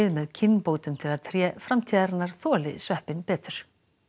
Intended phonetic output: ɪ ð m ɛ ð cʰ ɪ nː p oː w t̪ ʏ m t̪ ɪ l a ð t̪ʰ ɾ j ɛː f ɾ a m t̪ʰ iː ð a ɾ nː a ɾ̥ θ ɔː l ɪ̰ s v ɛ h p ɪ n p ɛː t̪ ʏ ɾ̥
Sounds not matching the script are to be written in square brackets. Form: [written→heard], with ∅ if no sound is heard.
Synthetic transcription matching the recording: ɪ ð m ɛ ð cʰ ɪ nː p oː w t̪ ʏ m [t̪→t̪ʰ] ɪ l a ð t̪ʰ ɾ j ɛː f ɾ a m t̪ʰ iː ð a ɾ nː a ɾ̥ θ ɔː l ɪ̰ s v ɛ h p ɪ n p ɛː t̪ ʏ ɾ̥